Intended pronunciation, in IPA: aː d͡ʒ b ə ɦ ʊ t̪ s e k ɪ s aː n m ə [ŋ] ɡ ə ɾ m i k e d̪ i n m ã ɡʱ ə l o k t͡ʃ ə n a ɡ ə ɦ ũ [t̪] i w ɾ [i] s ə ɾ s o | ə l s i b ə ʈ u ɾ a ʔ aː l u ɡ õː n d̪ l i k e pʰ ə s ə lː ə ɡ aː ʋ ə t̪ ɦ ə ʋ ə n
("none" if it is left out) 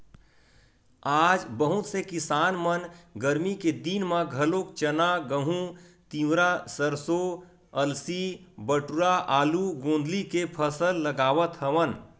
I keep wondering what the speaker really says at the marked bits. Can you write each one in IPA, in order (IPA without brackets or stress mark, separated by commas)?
n, t̪, a